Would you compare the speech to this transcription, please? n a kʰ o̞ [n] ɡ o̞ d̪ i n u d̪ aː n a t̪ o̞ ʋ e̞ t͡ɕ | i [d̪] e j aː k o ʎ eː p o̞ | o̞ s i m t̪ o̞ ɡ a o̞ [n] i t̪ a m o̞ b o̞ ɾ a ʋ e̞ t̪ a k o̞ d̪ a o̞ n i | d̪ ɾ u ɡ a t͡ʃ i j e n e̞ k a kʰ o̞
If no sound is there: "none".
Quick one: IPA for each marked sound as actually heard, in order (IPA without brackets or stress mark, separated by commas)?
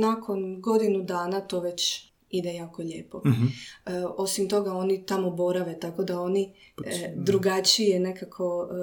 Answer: n, d̪, n